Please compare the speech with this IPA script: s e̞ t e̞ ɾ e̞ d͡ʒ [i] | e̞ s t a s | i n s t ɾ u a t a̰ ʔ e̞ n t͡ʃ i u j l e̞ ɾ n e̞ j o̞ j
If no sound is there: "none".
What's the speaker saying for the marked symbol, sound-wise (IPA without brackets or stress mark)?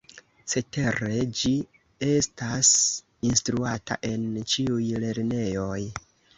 i